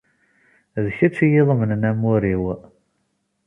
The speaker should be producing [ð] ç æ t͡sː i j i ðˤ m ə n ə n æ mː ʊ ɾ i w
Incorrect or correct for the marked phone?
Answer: correct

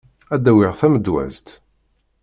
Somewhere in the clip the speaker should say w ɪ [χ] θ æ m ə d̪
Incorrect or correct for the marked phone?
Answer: incorrect: ʁ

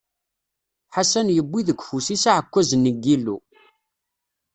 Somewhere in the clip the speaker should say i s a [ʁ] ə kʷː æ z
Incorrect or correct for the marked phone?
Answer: incorrect: ʕ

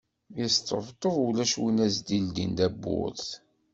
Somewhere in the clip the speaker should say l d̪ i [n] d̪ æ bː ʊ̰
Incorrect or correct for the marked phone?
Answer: correct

